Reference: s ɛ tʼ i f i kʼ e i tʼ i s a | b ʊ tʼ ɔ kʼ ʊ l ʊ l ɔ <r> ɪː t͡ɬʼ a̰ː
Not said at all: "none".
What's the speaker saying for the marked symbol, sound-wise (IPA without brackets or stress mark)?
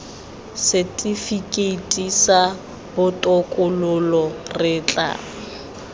r